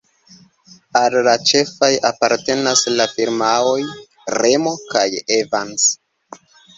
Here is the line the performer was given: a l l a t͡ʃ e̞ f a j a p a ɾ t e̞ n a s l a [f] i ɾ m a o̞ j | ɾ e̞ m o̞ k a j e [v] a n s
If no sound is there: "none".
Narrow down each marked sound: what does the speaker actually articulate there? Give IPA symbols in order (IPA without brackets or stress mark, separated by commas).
f, v